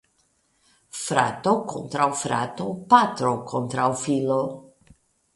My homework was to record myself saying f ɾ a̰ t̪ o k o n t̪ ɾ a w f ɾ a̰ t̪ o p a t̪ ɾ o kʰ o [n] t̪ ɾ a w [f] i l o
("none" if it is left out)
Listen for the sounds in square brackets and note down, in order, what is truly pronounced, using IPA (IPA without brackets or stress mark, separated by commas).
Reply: n, f